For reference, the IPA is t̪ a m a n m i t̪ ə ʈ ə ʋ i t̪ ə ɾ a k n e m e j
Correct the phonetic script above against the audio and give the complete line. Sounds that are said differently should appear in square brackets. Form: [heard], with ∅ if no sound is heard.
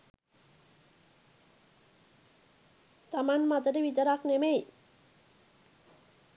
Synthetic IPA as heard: t̪ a m a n m [a] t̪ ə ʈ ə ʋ i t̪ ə ɾ a k n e m e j